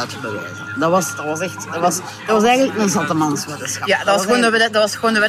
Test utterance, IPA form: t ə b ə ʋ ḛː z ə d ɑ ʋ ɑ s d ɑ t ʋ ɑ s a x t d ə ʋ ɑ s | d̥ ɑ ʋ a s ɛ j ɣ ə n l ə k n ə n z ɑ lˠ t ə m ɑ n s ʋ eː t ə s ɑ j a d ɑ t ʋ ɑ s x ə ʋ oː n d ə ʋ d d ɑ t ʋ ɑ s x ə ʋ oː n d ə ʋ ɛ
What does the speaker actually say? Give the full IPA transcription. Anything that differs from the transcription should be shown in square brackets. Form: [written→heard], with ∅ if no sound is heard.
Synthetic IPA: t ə b ə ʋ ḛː z ə d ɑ ʋ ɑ s d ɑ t ʋ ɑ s [a→ɛ] x t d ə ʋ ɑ s | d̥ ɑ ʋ [a→ɑ] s ɛ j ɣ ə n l ə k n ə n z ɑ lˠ t ə m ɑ n s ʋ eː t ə s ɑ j a d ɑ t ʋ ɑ s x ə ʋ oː n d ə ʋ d d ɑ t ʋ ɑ s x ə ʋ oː n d ə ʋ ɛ